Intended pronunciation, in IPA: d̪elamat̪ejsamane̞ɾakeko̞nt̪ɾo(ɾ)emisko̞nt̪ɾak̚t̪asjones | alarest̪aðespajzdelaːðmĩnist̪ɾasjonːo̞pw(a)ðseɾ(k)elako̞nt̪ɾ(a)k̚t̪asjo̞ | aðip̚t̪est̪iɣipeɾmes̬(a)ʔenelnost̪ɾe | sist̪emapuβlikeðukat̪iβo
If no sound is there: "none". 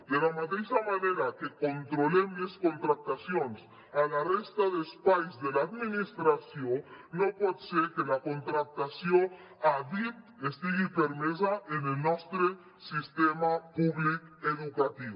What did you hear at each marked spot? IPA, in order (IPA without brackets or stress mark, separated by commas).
l, e, k, a, a